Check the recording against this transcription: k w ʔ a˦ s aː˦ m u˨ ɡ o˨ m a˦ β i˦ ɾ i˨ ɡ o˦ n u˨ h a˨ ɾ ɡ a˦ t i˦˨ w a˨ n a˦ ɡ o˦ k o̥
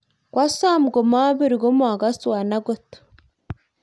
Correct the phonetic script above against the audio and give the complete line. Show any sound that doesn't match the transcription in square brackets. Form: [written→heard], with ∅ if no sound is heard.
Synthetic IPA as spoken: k w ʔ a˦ s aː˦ m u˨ ɡ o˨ m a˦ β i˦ ɾ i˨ ɡ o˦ [n→m] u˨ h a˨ [ɾ→∅] ɡ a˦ [t→s] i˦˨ w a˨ n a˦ ɡ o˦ [k→t] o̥